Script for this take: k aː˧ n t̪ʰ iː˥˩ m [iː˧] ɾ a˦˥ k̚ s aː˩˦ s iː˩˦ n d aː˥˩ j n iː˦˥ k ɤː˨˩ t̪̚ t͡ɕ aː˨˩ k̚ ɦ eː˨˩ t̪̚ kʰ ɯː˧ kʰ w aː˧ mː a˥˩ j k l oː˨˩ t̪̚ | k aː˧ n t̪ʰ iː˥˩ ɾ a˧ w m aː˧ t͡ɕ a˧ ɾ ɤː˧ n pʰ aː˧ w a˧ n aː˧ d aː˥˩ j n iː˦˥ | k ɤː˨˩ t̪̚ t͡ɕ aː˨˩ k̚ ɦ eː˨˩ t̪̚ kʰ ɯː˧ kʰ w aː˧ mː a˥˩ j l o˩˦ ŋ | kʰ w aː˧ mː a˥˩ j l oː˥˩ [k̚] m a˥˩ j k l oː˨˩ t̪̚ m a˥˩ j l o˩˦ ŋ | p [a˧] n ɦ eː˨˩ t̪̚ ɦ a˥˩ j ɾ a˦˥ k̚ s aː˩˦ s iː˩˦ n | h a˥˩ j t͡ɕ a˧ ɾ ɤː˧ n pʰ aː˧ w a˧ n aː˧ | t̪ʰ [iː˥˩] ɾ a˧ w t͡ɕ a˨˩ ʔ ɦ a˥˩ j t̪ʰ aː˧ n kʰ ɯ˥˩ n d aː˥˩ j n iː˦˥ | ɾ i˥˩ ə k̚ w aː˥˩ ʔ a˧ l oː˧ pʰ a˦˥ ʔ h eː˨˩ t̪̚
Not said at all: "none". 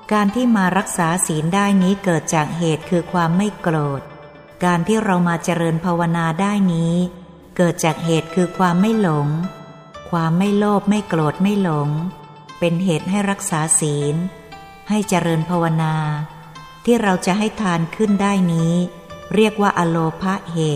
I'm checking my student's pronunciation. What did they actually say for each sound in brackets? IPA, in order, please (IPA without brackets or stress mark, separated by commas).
aː˧, p̚, e˧, iː˥˩